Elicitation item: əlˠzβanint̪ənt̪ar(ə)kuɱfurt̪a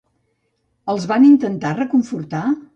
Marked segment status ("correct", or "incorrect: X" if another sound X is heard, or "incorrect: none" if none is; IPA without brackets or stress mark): correct